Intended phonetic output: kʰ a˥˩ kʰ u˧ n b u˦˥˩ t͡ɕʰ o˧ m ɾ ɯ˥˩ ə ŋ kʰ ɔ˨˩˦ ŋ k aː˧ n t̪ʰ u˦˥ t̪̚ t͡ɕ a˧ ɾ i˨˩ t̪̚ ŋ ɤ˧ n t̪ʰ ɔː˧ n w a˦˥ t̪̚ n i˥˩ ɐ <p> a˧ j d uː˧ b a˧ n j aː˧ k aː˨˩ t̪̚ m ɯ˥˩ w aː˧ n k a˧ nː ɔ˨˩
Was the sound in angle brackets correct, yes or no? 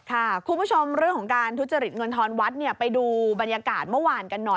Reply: yes